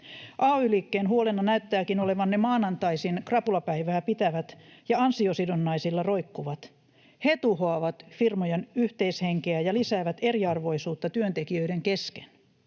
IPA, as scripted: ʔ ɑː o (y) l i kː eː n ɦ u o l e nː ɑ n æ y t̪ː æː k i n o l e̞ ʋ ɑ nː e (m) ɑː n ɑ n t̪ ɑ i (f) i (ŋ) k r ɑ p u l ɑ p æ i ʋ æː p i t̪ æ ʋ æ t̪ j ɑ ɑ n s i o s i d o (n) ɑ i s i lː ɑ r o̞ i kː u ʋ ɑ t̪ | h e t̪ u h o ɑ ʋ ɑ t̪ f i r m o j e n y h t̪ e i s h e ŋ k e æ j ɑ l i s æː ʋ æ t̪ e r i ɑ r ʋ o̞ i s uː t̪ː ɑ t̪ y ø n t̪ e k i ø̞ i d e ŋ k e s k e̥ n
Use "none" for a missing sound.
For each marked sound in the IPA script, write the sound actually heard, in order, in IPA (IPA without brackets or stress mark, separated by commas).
y, m, s, n, nː